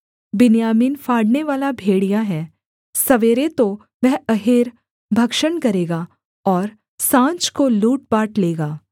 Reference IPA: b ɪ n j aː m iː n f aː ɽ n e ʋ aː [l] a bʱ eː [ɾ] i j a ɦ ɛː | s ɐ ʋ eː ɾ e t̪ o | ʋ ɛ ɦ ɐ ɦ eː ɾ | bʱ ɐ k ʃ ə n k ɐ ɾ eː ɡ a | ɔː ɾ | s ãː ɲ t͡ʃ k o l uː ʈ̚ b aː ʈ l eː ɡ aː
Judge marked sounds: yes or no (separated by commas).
yes, no